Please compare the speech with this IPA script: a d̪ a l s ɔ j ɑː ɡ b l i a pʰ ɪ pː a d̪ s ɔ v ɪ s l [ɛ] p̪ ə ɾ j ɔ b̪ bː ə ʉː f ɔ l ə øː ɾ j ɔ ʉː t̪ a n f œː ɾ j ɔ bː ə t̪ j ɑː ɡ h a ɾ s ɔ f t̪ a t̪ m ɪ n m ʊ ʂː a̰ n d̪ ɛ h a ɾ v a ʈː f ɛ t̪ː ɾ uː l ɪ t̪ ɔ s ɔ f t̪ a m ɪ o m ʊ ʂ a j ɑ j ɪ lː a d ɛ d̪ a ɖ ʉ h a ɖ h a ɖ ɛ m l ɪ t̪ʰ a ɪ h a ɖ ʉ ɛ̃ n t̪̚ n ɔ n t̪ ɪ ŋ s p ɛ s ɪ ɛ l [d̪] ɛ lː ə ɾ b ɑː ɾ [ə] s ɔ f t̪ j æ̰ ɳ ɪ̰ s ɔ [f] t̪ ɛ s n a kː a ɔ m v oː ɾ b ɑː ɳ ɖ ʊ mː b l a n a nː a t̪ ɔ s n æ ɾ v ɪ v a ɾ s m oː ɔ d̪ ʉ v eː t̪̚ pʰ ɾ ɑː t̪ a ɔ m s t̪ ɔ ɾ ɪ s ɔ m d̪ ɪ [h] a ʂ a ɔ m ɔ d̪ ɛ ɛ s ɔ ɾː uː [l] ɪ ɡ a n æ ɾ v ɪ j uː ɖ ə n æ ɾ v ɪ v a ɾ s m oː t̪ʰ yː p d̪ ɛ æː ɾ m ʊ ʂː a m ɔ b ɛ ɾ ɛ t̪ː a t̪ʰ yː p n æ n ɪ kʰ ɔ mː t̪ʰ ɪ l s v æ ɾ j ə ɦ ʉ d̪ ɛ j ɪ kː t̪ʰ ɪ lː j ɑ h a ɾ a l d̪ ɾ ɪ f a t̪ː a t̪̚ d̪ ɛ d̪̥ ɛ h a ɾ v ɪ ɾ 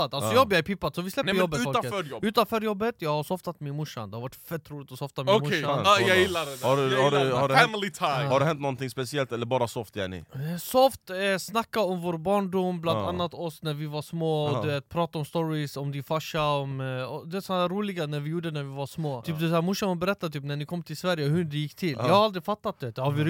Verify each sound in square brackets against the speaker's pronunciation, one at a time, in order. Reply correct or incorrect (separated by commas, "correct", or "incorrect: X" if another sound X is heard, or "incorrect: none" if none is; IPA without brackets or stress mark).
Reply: correct, incorrect: t̪, incorrect: a, correct, incorrect: f, correct